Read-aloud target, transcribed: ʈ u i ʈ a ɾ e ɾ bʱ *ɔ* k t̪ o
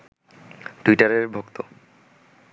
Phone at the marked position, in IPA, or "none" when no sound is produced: o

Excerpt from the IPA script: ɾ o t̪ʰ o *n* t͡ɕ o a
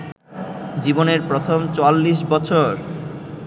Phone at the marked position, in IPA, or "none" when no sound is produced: m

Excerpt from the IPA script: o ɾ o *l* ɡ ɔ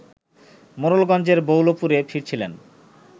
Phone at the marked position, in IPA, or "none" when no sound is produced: l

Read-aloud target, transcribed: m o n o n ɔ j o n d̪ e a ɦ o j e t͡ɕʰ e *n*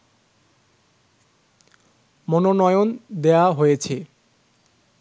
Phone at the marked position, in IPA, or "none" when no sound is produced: none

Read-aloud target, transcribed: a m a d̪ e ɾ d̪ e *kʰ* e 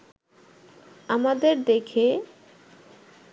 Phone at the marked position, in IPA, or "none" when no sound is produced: kʰ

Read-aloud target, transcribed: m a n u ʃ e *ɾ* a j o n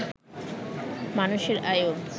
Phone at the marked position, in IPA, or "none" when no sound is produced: ɾ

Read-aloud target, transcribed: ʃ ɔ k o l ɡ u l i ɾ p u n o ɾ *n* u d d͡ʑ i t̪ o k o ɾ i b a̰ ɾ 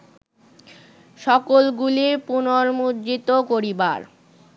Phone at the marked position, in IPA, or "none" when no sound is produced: m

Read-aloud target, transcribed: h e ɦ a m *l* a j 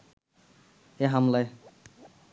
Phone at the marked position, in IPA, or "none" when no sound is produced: l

